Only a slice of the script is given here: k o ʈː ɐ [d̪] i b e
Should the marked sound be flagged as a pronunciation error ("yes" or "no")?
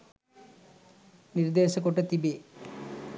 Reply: yes